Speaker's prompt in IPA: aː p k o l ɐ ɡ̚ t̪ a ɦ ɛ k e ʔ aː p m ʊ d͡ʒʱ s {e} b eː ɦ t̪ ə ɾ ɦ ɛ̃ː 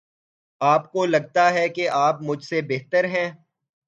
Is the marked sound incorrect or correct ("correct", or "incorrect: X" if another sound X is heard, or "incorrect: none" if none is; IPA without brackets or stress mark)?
correct